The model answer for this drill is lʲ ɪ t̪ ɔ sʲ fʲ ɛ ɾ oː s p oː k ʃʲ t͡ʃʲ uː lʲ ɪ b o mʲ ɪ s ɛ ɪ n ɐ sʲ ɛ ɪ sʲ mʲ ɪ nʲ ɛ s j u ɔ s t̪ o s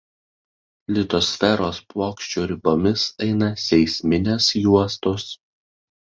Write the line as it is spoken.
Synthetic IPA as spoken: lʲ ɪ t̪ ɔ sʲ fʲ ɛ ɾ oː s p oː k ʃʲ t͡ʃʲ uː ɾʲ ɪ b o mʲ ɪ s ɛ ɪ n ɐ sʲ ɛ ɪ sʲ mʲ ɪ nʲ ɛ s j u ɔ s t̪ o s